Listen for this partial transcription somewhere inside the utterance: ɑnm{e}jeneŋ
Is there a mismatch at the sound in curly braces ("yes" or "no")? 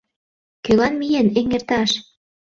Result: yes